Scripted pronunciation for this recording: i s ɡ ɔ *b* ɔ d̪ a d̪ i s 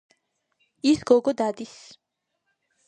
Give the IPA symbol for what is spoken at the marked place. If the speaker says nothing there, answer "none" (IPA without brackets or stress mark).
ɡ